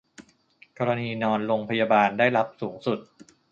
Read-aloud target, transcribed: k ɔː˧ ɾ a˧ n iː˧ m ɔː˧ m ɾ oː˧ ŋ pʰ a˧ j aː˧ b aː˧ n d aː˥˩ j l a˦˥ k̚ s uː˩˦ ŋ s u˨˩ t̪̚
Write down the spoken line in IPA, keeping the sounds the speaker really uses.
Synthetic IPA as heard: k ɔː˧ ɾ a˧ n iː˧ n ɔː˧ n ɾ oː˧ ŋ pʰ a˧ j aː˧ b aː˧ n d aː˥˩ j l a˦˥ p̚ s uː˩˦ ŋ s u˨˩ t̪̚

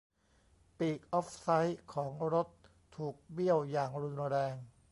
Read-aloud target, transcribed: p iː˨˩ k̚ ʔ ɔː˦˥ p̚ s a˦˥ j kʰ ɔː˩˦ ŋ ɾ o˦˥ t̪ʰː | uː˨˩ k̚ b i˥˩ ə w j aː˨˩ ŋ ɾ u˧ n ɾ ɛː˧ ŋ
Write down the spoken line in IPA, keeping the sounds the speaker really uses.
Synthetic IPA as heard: p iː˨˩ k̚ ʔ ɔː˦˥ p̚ s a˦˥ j kʰ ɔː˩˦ ŋ ɾ o˦˥ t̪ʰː | uː˨˩ k̚ b i˥˩ ə w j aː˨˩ ŋ ɾ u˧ n ɾ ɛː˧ ŋ

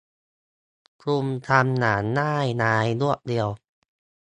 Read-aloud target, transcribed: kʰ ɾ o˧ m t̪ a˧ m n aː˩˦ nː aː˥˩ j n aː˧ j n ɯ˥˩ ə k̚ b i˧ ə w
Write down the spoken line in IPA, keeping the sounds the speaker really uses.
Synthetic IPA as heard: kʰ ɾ u˧ m t̪ʰ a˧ m n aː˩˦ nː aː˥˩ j n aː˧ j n u˥˩ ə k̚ d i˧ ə w

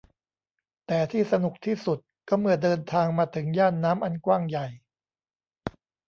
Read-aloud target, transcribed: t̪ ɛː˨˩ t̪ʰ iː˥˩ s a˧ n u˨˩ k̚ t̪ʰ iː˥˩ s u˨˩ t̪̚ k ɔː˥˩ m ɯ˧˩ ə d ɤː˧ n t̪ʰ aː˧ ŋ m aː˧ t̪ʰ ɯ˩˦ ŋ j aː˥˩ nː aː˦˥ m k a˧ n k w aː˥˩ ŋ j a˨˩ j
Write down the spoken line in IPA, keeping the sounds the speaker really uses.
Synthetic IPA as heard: t̪ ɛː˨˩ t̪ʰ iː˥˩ s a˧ n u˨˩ k̚ t̪ʰ iː˥˩ s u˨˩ t̪̚ k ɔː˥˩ m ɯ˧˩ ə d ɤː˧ n t̪ʰ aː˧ ŋ m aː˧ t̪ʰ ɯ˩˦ ŋ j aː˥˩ nː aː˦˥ m ʔ a˧ n k w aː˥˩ ŋ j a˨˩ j

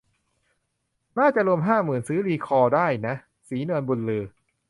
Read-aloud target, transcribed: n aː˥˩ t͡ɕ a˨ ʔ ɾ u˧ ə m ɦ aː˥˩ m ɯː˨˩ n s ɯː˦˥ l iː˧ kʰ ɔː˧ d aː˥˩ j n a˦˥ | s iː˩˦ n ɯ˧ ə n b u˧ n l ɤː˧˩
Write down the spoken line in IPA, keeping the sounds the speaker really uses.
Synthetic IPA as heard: n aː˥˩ t͡ɕ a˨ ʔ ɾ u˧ ə m ɦ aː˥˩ m ɯː˨˩ n s ɯː˦˥ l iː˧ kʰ ɔː˧ d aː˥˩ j n a˦˥ | s iː˩˦ n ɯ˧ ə n b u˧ n l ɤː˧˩

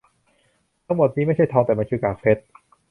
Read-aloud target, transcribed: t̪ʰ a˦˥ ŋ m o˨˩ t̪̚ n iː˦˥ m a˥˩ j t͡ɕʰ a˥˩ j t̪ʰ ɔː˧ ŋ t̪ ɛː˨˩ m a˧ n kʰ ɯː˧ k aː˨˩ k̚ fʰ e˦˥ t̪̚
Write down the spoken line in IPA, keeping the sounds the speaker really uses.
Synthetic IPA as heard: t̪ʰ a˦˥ ŋ m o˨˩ t̪̚ n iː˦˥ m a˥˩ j t͡ɕʰ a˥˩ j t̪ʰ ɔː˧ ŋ t̪ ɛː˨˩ m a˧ n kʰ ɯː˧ k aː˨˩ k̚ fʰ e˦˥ t̪̚

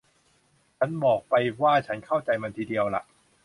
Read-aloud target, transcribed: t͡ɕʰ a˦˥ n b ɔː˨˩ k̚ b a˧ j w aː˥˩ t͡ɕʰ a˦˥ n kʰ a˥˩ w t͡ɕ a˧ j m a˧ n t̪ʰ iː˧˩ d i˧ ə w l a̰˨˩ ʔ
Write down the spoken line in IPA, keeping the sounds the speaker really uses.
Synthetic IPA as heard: t͡ɕʰ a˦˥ n b ɔː˨˩ k̚ p a˧ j w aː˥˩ t͡ɕʰ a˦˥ n kʰ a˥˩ w t͡ɕ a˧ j m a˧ n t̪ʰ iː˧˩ d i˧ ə w l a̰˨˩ ʔ

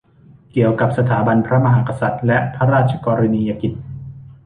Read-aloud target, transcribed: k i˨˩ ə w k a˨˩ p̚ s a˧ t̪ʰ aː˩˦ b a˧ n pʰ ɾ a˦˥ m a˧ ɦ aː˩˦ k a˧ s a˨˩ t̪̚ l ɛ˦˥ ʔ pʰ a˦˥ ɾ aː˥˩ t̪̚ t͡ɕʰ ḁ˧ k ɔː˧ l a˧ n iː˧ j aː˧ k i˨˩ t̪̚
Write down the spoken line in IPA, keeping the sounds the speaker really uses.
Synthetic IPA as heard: k i˨˩ ə w k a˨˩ p̚ s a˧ t̪ʰ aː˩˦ b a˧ n pʰ ɾ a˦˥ m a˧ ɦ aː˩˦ k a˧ s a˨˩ t̪̚ l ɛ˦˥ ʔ pʰ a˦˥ ɾ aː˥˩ t̪̚ t͡ɕʰ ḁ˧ k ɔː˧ ɾ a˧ n iː˧ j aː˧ k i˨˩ t̪̚

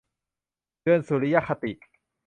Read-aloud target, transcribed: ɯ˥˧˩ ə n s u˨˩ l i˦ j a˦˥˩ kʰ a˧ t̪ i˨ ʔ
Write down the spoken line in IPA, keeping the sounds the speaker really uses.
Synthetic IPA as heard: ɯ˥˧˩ ə n s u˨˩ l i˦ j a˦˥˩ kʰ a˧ t̪ i˨ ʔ

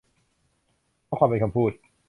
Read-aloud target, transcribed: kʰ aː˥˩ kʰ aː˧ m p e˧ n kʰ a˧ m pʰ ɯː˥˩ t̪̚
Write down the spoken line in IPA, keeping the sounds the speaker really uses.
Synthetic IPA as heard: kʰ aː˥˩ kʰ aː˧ m p e˧ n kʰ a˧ m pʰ uː˥˩ t̪̚

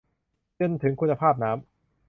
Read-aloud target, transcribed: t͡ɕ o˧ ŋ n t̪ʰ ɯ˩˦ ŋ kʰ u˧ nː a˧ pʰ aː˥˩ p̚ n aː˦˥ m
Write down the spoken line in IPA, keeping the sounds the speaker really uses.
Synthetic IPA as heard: t͡ɕ o˧ n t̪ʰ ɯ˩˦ ŋ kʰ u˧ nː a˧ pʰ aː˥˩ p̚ n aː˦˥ m

